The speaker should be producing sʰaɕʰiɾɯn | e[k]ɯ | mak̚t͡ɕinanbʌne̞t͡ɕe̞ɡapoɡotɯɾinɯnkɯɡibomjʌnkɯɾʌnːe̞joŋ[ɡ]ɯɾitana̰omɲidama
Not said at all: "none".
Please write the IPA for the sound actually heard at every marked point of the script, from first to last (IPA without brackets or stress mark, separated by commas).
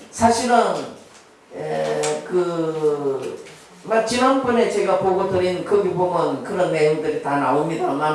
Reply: k, d